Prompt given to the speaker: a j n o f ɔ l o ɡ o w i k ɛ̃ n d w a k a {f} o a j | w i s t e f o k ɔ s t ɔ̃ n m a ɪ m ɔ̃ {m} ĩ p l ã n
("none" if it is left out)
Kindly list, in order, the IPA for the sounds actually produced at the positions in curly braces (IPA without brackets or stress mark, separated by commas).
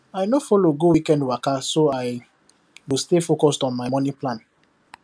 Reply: s, n